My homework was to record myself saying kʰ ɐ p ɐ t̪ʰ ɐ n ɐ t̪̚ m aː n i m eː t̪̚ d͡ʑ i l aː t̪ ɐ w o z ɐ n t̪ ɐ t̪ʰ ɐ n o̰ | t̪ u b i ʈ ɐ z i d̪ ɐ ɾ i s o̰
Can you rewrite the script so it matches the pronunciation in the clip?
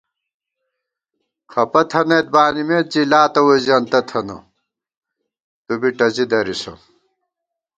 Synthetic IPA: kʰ ɐ p ɐ t̪ʰ ɐ n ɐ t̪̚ b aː n i m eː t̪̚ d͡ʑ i l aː t̪ ɐ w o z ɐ n t̪ ɐ t̪ʰ ɐ n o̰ | t̪ u b i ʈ ɐ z i d̪ ɐ ɾ i s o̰